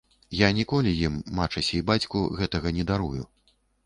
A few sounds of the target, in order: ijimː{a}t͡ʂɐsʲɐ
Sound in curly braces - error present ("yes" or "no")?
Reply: no